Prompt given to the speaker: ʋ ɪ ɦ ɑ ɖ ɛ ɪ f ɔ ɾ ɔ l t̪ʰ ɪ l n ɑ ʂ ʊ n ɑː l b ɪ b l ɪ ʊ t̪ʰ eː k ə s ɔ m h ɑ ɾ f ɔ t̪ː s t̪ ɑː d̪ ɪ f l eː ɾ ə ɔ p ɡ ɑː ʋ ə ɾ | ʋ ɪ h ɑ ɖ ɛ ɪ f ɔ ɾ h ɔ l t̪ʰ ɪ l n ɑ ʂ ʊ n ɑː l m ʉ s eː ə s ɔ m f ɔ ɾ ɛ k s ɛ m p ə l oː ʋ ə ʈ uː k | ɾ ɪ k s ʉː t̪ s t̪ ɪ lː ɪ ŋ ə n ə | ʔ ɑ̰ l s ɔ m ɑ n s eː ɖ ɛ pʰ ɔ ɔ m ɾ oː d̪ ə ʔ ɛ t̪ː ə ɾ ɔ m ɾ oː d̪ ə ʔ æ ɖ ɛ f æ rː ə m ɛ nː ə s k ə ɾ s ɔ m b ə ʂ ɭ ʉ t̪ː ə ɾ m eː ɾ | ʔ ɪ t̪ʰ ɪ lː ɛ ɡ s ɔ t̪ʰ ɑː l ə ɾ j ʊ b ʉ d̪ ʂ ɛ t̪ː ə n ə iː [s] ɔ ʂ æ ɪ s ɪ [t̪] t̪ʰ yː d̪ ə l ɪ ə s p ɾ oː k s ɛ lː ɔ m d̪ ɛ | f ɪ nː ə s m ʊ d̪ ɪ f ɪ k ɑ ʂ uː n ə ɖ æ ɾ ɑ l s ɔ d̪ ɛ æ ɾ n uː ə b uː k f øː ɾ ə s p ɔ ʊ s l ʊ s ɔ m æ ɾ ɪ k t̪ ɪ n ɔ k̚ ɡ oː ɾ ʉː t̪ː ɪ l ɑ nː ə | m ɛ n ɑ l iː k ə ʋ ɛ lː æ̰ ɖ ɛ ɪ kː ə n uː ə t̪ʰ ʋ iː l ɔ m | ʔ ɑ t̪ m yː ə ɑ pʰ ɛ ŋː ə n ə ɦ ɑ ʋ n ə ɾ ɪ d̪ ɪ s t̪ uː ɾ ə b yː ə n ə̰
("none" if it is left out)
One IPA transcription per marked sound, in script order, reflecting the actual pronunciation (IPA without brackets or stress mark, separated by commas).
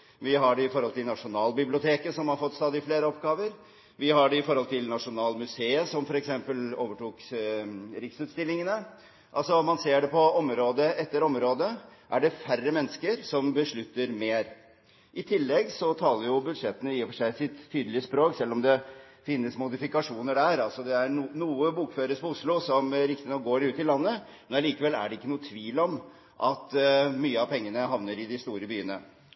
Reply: f, t̪